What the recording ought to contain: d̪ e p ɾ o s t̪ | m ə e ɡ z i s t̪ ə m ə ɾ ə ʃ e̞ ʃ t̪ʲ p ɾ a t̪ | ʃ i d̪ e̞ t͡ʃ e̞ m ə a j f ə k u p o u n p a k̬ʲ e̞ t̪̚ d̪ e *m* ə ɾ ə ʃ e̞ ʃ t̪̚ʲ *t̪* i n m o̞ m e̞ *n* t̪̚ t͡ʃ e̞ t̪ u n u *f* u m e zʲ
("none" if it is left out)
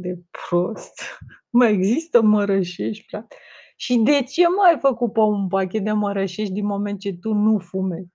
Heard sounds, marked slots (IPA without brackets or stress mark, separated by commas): m, d̪, n, f